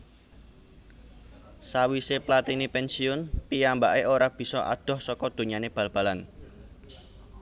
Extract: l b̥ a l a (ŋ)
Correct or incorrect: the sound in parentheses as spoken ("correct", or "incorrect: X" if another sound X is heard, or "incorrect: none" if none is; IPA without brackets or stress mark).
incorrect: n